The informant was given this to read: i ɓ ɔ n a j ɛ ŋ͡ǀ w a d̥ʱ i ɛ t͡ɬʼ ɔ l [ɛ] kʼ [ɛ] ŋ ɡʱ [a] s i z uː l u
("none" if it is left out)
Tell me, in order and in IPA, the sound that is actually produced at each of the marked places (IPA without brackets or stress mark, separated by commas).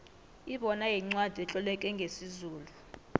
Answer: ɛ, ɛ, e